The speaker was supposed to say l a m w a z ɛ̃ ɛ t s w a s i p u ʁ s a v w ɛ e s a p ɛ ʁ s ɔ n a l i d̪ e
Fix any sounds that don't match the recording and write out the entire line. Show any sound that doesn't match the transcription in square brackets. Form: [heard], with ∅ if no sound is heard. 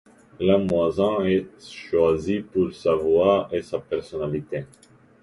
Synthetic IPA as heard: l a m w a z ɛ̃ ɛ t [ʃ] w a [z] i p u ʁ s a v w [a] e s a p ɛ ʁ s ɔ n a l i [t̪] e